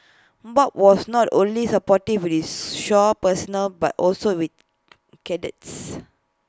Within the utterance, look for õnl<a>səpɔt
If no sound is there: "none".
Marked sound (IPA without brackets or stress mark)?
i